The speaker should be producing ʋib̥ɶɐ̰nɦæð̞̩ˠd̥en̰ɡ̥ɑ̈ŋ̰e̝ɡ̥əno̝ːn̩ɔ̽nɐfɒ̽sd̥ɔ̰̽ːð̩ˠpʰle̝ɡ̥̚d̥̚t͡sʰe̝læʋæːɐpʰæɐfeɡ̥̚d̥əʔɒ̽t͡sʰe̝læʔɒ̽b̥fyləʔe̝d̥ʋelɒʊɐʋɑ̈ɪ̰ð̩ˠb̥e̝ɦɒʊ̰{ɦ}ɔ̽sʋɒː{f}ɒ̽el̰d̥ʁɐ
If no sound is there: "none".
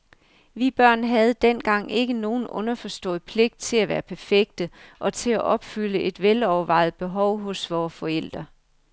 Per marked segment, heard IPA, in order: ɦ, f

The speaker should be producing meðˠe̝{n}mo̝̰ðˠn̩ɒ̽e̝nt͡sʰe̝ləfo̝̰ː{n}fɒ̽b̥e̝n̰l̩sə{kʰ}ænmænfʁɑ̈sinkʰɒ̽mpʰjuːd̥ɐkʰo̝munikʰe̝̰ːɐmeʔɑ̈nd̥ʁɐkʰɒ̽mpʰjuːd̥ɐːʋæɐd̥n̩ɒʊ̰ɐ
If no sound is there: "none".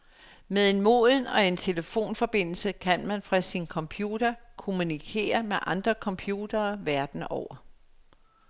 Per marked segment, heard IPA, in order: n, n, kʰ

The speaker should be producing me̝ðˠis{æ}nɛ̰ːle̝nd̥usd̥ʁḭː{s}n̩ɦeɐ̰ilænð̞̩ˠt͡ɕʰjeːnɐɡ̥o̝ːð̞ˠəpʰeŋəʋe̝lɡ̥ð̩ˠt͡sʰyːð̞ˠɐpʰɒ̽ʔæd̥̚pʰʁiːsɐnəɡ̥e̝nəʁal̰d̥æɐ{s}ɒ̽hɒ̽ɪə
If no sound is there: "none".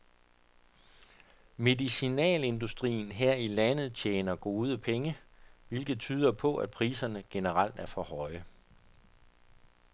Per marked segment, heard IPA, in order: i, none, f

